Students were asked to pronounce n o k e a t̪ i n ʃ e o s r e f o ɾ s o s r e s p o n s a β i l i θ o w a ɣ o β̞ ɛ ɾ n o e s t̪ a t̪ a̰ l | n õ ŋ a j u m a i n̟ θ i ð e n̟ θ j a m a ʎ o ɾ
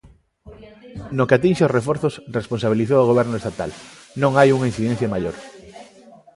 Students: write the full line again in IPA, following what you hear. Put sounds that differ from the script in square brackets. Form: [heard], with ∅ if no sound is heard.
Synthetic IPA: n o k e a t̪ i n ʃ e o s r e f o ɾ [θ] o s r e s p o n s a β i l i θ o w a ɣ o β̞ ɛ ɾ n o e s t̪ a t̪ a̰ l | n õ ŋ a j u [ŋ] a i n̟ θ i ð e n̟ θ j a m a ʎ o ɾ